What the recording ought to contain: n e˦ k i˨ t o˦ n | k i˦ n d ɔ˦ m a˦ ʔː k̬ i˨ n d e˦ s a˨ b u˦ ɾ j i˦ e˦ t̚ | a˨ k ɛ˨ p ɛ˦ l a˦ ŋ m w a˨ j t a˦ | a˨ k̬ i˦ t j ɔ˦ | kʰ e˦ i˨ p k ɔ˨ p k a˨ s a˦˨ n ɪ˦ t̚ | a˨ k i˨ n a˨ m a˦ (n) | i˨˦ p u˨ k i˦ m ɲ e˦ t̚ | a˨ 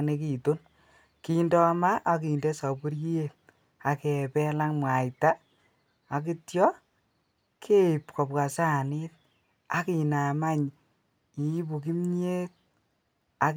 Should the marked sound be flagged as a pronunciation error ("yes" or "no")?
yes